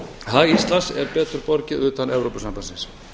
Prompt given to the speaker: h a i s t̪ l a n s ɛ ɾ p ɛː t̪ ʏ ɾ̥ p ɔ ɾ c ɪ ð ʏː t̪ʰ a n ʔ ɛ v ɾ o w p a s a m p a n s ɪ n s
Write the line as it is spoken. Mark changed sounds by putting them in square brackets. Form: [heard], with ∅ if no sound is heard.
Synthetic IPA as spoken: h a i s t̪ l a n s ɛ ɾ p ɛː t̪ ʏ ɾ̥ p ɔ ɾ c ɪ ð ʏː [t̪] a n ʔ ɛ v ɾ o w p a s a m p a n s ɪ n s